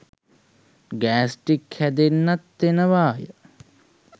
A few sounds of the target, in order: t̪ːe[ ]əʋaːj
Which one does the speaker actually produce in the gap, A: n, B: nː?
A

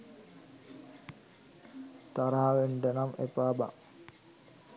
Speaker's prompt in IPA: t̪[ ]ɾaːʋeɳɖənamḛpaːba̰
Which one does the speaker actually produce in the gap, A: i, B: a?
B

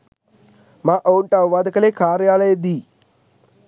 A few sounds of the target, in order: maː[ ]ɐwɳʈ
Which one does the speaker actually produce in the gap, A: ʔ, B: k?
A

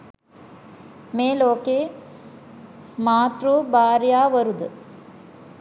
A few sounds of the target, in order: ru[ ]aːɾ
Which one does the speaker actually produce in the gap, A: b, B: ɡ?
A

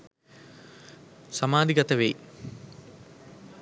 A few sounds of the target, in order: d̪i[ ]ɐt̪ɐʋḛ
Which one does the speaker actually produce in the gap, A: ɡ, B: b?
A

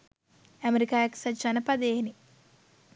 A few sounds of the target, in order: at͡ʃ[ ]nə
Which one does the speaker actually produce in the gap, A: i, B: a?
B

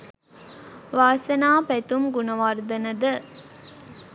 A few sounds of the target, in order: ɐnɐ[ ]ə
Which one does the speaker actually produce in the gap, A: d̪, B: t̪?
A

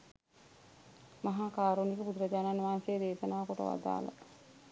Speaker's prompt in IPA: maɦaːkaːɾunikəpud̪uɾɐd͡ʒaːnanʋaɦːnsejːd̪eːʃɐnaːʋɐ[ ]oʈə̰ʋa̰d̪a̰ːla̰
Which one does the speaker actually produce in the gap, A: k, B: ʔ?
A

